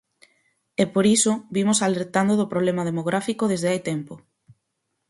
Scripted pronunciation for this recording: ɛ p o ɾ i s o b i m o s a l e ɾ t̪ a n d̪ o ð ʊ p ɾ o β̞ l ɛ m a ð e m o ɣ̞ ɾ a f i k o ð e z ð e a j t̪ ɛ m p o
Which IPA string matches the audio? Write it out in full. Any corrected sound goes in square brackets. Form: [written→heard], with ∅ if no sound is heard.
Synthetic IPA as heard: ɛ p o ɾ i s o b i m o s a l e ɾ t̪ a n d̪ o ð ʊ p ɾ o β̞ l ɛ m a ð e m o ɣ̞ ɾ a f i k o ð e z ð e a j t̪ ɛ m p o